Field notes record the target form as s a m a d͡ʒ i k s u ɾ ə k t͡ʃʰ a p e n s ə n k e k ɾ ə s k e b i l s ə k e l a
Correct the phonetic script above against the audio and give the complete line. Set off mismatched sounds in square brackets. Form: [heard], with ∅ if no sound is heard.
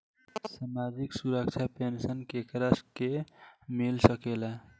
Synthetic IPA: s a m a d͡ʒ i k s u ɾ ə k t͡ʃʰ a p e n s ə n k e k ɾ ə s k e [m] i l s ə k e l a